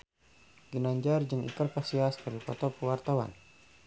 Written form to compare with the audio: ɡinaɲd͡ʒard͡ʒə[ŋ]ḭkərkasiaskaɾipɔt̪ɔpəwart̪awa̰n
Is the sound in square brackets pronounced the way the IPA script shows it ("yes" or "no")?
yes